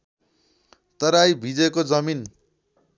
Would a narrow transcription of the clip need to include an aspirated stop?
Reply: no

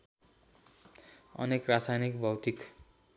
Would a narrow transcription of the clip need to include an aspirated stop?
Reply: no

